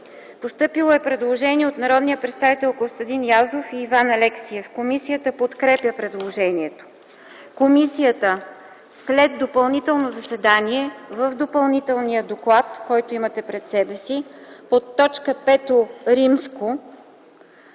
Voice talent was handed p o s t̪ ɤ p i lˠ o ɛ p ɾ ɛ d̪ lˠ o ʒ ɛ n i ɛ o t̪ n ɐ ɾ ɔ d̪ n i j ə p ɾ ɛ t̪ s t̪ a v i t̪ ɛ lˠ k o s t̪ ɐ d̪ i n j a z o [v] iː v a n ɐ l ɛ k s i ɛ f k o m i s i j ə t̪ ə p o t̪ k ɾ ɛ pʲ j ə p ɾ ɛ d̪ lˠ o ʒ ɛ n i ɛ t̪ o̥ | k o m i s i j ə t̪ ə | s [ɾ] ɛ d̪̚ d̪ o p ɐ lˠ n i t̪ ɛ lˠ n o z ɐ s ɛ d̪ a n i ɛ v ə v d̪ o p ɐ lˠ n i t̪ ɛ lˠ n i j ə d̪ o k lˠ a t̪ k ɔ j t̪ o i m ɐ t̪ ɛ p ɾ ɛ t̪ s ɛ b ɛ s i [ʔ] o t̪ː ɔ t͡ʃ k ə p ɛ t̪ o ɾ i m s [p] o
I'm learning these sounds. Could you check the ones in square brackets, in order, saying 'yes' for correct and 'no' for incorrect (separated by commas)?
no, no, no, no